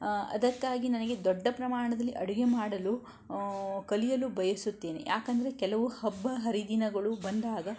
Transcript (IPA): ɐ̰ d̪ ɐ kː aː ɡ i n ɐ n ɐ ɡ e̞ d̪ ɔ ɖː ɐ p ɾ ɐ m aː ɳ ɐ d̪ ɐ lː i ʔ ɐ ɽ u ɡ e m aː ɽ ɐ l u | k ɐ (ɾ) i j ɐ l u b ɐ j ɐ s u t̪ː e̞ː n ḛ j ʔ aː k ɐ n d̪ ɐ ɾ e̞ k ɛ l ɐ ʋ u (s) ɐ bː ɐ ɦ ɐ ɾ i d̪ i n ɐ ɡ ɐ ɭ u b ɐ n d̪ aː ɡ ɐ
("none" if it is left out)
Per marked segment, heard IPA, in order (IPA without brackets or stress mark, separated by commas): l, h